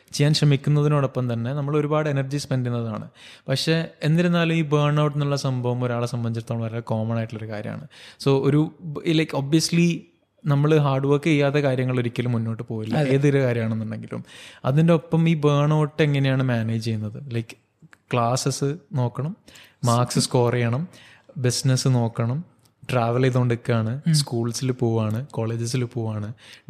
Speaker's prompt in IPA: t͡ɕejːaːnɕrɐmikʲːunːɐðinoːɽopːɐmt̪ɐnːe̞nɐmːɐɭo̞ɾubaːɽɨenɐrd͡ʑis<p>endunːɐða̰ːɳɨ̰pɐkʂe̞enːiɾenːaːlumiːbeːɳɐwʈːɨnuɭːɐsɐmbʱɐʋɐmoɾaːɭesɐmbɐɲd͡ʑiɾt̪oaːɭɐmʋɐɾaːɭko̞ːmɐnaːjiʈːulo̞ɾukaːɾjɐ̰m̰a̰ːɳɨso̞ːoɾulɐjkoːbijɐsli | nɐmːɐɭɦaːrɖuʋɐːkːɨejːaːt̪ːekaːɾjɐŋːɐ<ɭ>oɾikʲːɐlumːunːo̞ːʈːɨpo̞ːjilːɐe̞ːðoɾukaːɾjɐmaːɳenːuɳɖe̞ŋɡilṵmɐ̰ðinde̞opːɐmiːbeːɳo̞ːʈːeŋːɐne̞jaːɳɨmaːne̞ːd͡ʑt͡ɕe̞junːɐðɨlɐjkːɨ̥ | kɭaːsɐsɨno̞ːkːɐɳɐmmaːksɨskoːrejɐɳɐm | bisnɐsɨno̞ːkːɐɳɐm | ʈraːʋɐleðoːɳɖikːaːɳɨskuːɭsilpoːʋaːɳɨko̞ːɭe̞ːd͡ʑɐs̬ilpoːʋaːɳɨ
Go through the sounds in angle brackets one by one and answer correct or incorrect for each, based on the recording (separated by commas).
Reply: correct, correct